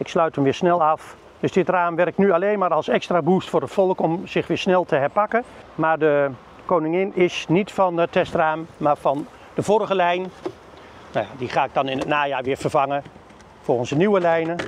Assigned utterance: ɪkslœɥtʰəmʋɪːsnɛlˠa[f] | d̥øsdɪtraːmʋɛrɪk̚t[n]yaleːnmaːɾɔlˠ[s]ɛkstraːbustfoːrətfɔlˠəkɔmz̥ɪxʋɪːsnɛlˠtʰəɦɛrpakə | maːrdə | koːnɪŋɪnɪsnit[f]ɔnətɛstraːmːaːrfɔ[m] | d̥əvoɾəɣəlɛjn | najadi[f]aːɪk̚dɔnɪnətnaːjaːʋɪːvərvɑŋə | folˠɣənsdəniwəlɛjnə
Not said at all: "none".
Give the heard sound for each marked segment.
f, n, s, f, n, χ

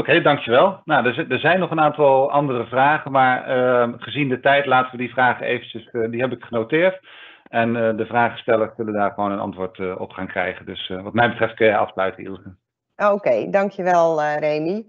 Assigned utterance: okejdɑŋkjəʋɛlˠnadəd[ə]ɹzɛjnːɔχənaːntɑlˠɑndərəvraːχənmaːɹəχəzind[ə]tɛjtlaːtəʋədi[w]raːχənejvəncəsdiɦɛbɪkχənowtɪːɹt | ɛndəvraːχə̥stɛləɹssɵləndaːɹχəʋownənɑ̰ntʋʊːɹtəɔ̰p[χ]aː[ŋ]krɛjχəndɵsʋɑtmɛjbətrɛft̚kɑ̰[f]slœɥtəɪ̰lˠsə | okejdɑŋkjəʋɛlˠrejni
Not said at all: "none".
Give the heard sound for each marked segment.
ə, ə, v, χ, ŋ, f

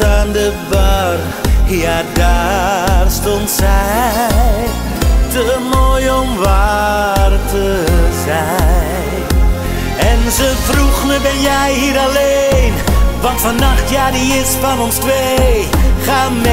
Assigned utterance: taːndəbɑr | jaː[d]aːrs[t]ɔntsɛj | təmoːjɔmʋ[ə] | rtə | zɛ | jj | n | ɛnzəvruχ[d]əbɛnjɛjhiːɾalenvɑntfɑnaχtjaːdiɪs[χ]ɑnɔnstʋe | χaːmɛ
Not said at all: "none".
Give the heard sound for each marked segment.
d, t, a, n, f

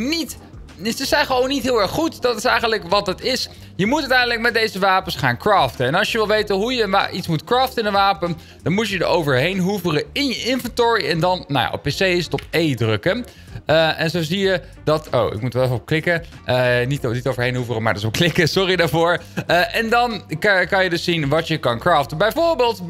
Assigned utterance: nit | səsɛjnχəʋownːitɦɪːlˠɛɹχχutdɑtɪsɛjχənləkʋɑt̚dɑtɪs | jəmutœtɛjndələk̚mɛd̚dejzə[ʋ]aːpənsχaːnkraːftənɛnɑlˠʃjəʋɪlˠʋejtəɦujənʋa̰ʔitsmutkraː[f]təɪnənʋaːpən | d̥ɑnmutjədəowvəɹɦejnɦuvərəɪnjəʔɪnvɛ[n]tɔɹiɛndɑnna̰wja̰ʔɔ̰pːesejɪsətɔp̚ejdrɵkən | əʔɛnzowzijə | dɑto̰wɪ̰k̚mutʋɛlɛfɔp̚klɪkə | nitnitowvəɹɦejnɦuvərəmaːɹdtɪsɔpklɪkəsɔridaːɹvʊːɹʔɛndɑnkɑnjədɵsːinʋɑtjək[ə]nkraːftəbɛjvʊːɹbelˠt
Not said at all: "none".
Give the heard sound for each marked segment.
ʋ, f, n, ɑ

